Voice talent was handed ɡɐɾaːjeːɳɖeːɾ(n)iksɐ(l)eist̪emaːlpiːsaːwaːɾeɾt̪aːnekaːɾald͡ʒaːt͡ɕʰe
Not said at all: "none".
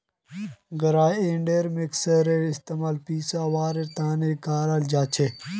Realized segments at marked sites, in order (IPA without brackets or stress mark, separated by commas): m, ɾ